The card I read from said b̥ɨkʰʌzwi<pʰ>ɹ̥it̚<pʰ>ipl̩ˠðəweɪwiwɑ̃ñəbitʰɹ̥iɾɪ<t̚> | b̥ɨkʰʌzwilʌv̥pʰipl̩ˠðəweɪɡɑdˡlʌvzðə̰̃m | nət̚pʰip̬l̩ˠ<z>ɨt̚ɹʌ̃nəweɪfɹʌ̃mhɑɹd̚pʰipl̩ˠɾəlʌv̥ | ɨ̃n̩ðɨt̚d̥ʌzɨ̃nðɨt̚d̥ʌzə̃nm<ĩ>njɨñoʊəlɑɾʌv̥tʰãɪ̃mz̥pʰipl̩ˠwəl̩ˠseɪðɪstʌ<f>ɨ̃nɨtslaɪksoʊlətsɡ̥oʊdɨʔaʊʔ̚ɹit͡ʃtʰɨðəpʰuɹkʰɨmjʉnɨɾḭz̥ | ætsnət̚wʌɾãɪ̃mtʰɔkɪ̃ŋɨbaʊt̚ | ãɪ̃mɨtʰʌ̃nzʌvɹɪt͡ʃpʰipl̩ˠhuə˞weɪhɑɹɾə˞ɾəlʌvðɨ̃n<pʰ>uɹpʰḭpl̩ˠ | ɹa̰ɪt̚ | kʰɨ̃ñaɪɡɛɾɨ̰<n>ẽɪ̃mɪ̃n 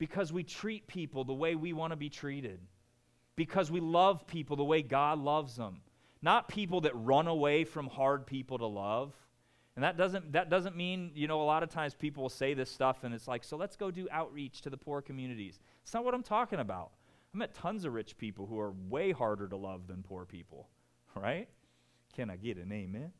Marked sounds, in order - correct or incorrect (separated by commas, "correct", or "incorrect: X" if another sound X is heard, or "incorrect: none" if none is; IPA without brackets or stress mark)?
incorrect: tʰ, correct, incorrect: d̚, incorrect: ð, correct, correct, correct, correct